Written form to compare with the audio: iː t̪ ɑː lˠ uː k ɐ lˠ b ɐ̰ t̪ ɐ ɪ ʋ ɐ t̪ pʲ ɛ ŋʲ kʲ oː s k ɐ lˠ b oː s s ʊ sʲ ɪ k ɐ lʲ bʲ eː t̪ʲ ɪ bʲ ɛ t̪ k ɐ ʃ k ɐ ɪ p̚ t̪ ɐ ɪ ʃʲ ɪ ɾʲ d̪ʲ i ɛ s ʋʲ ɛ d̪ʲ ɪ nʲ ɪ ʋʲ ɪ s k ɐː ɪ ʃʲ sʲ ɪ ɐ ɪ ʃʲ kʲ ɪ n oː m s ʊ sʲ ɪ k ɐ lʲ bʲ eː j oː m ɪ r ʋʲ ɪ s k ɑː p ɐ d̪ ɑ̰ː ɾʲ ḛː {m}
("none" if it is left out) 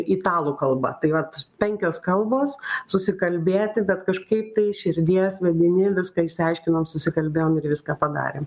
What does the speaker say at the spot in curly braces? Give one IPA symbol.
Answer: m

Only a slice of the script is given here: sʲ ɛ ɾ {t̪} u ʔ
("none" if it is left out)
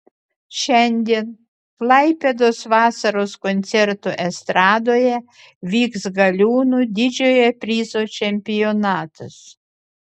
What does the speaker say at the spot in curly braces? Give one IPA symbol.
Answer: t̪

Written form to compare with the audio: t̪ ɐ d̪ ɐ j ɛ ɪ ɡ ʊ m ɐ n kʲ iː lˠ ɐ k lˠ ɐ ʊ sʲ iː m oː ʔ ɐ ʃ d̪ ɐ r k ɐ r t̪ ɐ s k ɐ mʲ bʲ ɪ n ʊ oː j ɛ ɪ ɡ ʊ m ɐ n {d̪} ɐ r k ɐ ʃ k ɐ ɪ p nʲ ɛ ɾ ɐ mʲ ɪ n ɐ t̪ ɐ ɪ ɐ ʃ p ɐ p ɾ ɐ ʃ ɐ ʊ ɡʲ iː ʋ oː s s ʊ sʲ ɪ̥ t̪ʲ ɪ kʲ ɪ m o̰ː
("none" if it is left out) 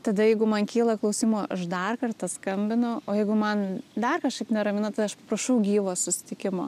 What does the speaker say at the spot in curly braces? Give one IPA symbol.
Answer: d̪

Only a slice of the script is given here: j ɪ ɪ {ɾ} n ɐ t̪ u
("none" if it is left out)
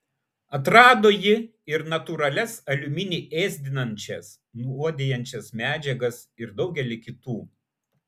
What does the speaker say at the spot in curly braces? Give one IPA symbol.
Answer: ɾ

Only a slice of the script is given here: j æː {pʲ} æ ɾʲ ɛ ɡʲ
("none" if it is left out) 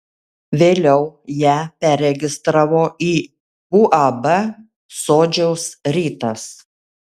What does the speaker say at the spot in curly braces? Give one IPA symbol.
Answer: pʲ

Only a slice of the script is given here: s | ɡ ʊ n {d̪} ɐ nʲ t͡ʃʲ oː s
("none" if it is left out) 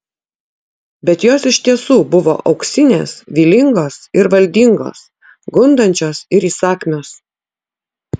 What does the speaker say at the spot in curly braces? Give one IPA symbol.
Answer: d̪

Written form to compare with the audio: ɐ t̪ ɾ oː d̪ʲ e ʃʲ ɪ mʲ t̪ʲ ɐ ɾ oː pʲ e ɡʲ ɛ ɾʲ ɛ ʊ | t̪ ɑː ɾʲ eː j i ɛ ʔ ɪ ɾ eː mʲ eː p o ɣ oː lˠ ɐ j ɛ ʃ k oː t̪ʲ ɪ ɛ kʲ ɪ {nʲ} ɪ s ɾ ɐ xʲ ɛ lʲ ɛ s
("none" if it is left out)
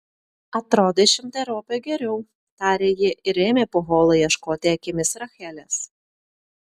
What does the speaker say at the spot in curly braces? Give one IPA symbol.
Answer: mʲ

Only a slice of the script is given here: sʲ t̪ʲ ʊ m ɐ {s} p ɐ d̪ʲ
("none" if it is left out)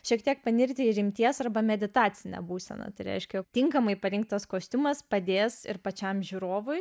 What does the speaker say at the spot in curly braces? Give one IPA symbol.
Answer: s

